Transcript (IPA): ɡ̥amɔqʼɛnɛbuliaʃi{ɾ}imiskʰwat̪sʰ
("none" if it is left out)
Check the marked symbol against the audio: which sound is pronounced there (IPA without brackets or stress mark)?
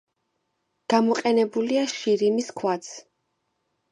ɾ